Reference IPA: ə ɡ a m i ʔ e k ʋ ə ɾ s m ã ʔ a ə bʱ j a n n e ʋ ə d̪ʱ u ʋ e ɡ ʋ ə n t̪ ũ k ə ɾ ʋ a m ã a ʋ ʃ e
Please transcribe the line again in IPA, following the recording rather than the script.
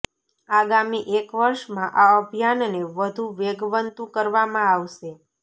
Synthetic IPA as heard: a ɡ a m i ʔ e k ʋ ə ɾ ʃ m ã ʔ a ə bʱ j a n n e ʋ ə d̪ʱ u ʋ e ɡ ʋ ə n t̪ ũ k ə ɾ ʋ a m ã a ʋ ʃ e